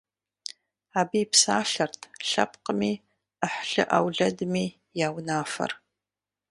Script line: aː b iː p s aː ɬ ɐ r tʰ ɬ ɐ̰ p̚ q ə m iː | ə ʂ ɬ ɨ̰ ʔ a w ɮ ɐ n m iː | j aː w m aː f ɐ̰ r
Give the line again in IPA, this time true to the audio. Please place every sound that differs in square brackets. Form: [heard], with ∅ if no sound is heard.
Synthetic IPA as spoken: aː b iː p s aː ɬ ɐ r tʰ ɬ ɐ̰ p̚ q ə m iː | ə [ħ] ɬ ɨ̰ ʔ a w ɮ ɐ [d] m iː | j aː w [n] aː f ɐ̰ r

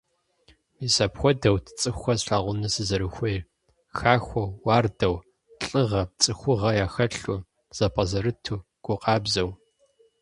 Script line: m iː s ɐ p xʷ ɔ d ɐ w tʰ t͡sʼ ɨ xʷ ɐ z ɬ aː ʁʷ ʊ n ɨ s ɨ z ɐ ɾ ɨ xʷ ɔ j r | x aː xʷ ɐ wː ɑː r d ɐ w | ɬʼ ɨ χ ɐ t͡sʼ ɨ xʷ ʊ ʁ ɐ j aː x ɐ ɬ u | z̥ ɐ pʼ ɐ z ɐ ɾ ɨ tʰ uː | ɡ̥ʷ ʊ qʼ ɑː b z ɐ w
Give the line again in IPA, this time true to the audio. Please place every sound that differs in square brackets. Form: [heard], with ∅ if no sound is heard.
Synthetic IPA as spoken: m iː s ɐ p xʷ ɔ d ɐ w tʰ t͡sʼ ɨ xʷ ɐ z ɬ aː ʁʷ ʊ n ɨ s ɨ z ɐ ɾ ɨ xʷ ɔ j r | x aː xʷ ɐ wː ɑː r d ɐ w | ɬʼ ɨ [ʁ] ɐ t͡sʼ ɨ xʷ ʊ ʁ ɐ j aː x ɐ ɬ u | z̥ ɐ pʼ ɐ z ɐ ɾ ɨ tʰ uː | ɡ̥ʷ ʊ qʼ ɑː b z ɐ w

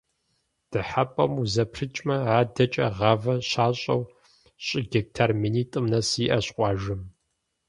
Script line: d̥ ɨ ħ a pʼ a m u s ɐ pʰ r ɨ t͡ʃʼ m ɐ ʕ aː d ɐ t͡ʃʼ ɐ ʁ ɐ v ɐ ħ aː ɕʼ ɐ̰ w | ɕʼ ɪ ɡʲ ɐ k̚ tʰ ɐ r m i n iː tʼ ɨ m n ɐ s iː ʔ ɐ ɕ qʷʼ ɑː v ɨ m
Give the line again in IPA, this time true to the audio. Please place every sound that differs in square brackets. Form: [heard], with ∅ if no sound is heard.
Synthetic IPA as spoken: d̥ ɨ ħ a pʼ [ɐ] m u [z] ɐ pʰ r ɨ t͡ʃʼ m ɐ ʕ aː d ɐ t͡ʃʼ ɐ ʁ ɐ v ɐ [ɕ] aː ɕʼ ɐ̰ w | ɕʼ ɪ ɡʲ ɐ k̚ tʰ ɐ r m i n iː tʼ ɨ m n ɐ s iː ʔ ɐ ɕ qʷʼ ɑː [ʒ] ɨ m

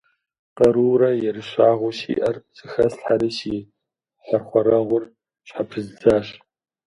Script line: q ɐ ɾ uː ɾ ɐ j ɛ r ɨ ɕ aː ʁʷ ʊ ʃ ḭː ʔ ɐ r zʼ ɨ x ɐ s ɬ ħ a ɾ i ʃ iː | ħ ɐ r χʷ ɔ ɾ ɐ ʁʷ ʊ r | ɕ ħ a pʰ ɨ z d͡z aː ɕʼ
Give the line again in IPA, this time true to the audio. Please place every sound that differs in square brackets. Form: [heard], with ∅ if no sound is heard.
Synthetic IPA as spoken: q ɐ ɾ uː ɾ ɐ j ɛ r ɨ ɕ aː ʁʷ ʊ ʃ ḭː ʔ ɐ r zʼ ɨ x ɐ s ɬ ħ a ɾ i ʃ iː | ħ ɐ r χʷ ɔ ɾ ɐ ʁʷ ʊ r | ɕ ħ a pʰ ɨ z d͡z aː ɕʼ

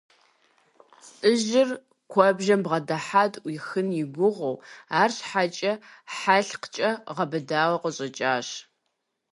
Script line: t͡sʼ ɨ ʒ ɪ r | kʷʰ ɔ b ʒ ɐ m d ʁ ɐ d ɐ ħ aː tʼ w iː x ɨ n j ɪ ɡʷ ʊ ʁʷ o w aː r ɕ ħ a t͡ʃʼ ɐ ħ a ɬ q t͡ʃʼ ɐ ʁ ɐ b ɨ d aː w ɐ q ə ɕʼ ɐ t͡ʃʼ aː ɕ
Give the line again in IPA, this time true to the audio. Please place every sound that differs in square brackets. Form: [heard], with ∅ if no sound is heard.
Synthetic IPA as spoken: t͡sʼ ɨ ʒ ɪ r | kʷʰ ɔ b ʒ ɐ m [b] ʁ ɐ d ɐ ħ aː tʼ w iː x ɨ n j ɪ ɡʷ ʊ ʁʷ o w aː r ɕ ħ a t͡ʃʼ ɐ ħ a ɬ q t͡ʃʼ ɐ ʁ ɐ b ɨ d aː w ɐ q ə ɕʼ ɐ t͡ʃʼ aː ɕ

